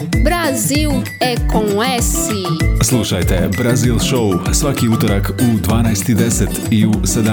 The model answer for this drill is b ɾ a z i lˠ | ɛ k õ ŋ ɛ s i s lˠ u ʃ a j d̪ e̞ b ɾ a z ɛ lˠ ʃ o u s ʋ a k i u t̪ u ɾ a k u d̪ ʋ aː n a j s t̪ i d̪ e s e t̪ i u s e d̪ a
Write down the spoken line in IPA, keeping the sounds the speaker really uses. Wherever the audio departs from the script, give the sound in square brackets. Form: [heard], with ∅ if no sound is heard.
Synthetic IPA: b ɾ a z i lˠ | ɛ k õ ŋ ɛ s i s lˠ u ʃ a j [t̪] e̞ b ɾ a z [i] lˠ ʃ o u s ʋ a k i u t̪ [o] ɾ a k u d̪ ʋ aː n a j s t̪ i d̪ e s e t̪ i u s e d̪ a